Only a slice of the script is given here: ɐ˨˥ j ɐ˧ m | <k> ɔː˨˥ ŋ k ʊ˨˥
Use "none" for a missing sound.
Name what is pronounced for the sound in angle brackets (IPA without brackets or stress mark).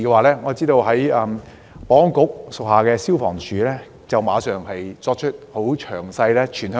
p